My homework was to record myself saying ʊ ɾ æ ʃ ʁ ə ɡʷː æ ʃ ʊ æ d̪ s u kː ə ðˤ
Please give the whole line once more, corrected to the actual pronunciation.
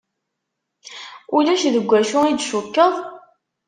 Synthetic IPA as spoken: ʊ l æ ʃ ð ə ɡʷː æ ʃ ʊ i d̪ ʃ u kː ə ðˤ